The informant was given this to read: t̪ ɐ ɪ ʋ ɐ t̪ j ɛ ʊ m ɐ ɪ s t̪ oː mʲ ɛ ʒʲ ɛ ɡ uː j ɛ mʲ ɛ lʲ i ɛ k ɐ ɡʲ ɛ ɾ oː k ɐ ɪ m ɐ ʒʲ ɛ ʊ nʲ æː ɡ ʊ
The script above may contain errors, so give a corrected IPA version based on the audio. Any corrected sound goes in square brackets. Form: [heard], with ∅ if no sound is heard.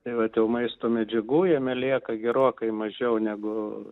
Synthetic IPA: t̪ ɐ ɪ ʋ ɐ t̪ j ɛ ʊ m ɐ ɪ s t̪ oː mʲ ɛ [d͡ʒʲ] ɛ ɡ uː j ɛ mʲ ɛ lʲ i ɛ k ɐ ɡʲ ɛ ɾ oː k ɐ ɪ m ɐ ʒʲ ɛ ʊ nʲ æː ɡ ʊ

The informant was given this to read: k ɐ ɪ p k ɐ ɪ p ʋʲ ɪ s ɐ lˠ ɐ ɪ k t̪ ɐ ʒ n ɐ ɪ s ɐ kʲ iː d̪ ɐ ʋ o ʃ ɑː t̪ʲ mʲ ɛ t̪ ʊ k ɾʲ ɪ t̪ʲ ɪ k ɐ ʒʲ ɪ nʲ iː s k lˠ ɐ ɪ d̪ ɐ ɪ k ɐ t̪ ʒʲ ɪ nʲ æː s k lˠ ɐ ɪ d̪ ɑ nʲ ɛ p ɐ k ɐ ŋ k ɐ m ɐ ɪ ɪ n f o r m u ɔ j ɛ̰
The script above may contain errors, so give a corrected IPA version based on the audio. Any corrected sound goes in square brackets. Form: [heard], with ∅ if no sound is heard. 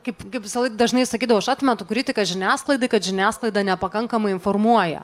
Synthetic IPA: k ɐ ɪ p k ɐ ɪ p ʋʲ ɪ s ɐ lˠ ɐ ɪ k [d̪] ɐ ʒ n ɐ ɪ s ɐ kʲ iː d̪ ɐ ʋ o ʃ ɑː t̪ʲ mʲ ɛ t̪ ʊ k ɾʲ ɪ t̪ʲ ɪ k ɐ ʒʲ ɪ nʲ [æː] s k lˠ ɐ ɪ d̪ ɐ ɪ k ɐ t̪ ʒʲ ɪ nʲ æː s k lˠ ɐ ɪ d̪ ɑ nʲ ɛ p ɐ k ɐ ŋ k ɐ m ɐ ɪ ɪ n f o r m u ɔ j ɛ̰

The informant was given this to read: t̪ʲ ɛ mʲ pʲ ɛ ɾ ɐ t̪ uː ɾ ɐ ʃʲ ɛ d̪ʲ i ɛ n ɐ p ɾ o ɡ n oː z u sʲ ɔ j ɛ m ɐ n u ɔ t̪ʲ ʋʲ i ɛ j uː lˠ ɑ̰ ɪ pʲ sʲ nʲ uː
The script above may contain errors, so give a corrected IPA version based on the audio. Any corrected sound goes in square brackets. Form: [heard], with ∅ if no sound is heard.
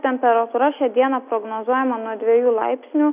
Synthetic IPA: t̪ʲ ɛ mʲ pʲ ɛ ɾ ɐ t̪ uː ɾ ɐ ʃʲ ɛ d̪ʲ i ɛ n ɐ p ɾ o ɡ n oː z u [∅] ɔ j ɛ m ɐ n u ɔ [d̪ʲ] ʋʲ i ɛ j uː lˠ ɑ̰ ɪ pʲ sʲ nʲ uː

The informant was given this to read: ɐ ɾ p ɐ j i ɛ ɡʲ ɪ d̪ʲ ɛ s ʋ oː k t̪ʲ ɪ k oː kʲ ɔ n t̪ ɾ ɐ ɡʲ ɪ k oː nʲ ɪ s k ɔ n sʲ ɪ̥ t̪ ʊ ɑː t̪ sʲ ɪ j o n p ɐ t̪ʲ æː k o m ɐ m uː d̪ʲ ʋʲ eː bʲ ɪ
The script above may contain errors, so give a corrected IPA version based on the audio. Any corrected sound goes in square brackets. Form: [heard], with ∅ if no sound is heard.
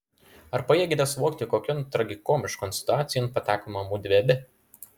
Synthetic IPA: ɐ ɾ p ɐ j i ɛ ɡʲ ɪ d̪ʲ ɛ s ʋ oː k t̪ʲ ɪ k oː kʲ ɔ n t̪ ɾ ɐ ɡʲ ɪ k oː [mʲ] ɪ [ʃ] k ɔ n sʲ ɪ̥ t̪ ʊ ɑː t̪ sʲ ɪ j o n p ɐ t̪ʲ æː k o m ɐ m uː d̪ʲ ʋʲ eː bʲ ɪ

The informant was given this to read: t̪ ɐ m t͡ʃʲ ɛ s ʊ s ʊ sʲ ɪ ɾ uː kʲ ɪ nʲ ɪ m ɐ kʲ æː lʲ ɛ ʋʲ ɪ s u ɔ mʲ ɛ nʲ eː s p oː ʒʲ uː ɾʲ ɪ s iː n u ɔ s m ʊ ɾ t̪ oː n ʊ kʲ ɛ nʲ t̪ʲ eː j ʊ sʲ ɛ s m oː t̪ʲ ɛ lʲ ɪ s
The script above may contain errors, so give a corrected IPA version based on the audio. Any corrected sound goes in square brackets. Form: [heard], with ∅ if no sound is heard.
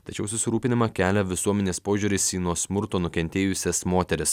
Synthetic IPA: t̪ ɐ [∅] t͡ʃʲ ɛ [∅] ʊ s ʊ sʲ ɪ ɾ uː [pʲ] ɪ nʲ ɪ m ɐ kʲ æː lʲ ɛ ʋʲ ɪ s u ɔ mʲ ɛ nʲ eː s p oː ʒʲ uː ɾʲ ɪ s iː n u ɔ s m ʊ ɾ t̪ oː n ʊ kʲ ɛ nʲ t̪ʲ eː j ʊ sʲ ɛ s m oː t̪ʲ ɛ [ɾʲ] ɪ s

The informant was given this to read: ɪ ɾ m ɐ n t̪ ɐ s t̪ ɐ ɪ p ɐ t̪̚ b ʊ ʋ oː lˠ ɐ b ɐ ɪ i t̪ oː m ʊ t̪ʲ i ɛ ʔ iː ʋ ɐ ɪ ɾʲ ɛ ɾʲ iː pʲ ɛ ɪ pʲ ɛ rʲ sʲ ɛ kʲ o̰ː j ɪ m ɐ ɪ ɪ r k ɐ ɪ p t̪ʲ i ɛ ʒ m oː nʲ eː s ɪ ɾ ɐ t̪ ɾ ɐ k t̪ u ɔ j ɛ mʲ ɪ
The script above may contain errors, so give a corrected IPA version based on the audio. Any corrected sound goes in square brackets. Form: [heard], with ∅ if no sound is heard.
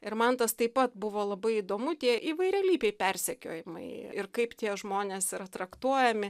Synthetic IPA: ɪ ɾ m ɐ n t̪ ɐ s t̪ ɐ ɪ p ɐ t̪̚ b ʊ ʋ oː lˠ ɐ b ɐ ɪ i [d̪] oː m ʊ t̪ʲ i ɛ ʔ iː ʋ ɐ ɪ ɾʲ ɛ [lʲ] iː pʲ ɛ ɪ pʲ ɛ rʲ sʲ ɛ kʲ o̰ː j ɪ m ɐ ɪ ɪ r k ɐ ɪ p t̪ʲ i ɛ ʒ m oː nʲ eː s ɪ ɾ ɐ t̪ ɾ ɐ k t̪ u ɔ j ɛ mʲ ɪ

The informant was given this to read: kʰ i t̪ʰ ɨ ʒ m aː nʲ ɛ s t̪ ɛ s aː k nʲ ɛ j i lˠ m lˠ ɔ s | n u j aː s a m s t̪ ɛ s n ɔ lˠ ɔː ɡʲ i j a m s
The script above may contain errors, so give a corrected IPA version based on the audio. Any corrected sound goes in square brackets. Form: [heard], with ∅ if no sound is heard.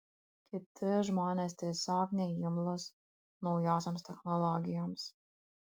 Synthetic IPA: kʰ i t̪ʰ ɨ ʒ m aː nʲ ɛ s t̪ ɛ s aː k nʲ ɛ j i [∅] m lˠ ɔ s | n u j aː s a m s t̪ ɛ [x] n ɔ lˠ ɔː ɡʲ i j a m s

